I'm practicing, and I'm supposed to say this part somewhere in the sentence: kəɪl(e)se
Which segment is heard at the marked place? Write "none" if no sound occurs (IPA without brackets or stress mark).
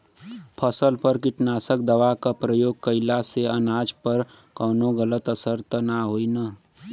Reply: a